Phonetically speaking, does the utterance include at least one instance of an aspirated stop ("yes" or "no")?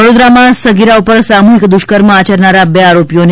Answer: no